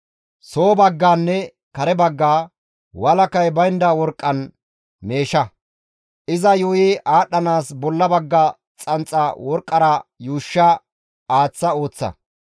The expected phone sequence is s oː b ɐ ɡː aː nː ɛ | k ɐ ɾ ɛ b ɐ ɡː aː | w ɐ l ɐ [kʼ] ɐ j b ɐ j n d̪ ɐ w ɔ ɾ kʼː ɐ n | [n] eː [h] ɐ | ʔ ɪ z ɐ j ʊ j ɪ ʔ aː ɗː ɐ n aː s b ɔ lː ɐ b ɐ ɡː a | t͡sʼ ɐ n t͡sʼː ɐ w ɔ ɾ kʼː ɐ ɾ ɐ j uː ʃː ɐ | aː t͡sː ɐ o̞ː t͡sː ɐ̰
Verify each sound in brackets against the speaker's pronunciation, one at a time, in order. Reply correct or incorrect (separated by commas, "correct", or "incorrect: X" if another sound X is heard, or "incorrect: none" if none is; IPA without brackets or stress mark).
incorrect: k, incorrect: m, incorrect: ʃ